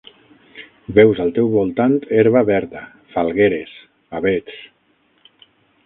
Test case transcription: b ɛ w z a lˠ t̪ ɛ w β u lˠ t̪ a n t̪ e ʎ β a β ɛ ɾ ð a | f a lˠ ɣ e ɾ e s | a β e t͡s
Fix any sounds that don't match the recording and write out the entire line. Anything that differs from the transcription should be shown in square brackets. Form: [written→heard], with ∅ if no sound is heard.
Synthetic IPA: b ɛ w z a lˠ t̪ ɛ w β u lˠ t̪ a n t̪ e [ʎ→ɾ] β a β ɛ ɾ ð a | f a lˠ ɣ e ɾ e s | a β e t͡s